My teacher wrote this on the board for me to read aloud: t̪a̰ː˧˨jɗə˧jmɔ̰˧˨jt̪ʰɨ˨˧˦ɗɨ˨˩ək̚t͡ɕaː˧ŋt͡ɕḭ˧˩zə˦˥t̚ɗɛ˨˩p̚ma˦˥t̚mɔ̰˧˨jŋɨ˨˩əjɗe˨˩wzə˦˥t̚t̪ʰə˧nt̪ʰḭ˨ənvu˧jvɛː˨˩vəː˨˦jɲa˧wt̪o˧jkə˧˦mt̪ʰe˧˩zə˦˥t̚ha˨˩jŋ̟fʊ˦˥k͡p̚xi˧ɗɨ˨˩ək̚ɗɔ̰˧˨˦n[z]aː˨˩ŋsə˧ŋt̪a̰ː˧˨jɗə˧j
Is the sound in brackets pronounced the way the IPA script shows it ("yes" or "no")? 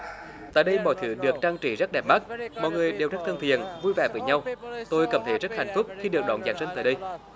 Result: yes